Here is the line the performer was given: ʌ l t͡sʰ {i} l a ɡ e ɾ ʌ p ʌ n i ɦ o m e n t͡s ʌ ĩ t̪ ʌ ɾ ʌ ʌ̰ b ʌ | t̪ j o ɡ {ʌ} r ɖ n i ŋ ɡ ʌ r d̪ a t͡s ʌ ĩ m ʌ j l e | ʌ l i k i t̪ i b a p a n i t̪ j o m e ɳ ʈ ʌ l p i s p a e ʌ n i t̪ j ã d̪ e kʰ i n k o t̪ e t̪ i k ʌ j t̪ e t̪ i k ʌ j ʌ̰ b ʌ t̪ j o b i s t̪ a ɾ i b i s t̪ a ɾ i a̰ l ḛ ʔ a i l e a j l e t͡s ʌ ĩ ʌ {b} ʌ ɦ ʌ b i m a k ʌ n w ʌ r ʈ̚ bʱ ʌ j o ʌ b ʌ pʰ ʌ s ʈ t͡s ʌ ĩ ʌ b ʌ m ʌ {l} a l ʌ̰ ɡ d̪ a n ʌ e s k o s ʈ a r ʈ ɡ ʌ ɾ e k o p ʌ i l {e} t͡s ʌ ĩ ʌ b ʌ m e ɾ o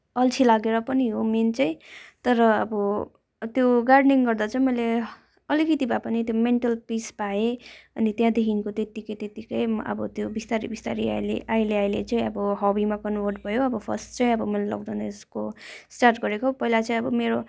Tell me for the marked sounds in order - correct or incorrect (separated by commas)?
correct, incorrect, correct, correct, incorrect